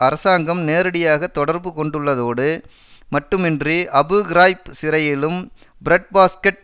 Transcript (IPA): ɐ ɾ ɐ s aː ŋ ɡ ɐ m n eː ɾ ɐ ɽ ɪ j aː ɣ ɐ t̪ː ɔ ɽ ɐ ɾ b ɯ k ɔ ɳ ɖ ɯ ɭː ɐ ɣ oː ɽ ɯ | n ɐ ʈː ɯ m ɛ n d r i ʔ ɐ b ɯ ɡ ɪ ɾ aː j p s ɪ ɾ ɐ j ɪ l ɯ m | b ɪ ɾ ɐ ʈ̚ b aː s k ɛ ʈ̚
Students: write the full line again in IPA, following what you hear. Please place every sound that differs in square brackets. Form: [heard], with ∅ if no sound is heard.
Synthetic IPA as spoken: ɐ ɾ ɐ s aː ŋ ɡ ɐ m n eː ɾ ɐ ɽ ɪ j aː ɣ ɐ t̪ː ɔ ɽ ɐ ɾ b ɯ k ɔ ɳ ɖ ɯ ɭː ɐ [ð] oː ɽ ɯ | [m] ɐ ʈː ɯ m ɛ n d r i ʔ ɐ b ɯ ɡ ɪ ɾ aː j p s ɪ ɾ ɐ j ɪ l ɯ m | b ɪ ɾ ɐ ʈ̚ b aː s k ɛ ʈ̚